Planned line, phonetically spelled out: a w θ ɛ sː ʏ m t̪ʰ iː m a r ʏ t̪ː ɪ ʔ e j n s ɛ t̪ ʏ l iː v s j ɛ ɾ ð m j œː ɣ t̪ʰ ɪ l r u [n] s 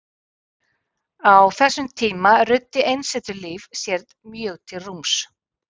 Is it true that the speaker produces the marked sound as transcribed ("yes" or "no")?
no